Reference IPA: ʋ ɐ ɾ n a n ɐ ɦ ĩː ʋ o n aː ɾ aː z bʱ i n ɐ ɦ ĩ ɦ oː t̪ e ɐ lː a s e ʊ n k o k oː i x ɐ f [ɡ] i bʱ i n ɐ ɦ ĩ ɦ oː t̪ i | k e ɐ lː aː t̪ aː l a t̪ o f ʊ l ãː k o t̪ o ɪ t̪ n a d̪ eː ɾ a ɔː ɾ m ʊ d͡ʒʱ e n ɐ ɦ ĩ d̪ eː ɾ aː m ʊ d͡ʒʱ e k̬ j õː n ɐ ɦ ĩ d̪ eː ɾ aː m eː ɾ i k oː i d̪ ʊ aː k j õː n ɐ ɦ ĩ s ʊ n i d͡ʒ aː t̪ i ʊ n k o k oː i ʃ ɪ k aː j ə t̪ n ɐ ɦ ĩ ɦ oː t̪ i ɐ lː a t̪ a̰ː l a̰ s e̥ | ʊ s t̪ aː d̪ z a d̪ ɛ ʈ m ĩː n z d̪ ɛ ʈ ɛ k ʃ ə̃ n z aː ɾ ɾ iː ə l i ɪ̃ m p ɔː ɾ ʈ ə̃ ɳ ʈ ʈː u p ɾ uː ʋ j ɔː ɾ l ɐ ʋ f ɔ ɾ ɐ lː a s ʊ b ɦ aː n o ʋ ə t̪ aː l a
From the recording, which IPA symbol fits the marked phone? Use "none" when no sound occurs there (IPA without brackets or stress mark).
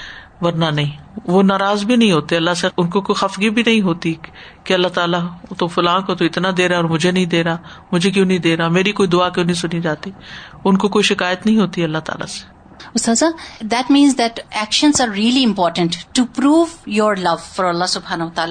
ɡ